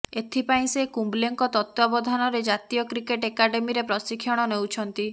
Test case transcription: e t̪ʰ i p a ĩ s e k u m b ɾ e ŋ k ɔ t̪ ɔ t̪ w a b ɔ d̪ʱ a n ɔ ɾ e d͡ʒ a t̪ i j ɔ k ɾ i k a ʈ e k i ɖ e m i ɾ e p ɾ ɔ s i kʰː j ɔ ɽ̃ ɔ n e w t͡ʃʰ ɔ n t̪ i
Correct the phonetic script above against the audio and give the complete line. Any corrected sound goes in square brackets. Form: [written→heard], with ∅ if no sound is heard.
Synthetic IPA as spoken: e t̪ʰ i p a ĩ s e k u m b [ɾ→l] e ŋ k ɔ t̪ ɔ t̪ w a b ɔ d̪ʱ a n ɔ ɾ e d͡ʒ a t̪ i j ɔ k ɾ i k [a→e] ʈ e k [i→a] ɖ e m i ɾ e p ɾ ɔ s i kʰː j ɔ ɽ̃ ɔ n e w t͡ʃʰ ɔ n t̪ i